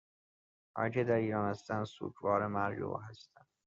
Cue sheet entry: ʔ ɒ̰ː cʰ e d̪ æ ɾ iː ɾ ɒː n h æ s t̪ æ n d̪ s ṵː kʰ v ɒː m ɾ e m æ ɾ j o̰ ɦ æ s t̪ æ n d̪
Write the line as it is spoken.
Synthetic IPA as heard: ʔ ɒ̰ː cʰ e d̪ æ ɾ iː ɾ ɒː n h æ s t̪ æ n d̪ s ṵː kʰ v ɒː ɾ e m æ ɾ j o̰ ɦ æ s t̪ æ n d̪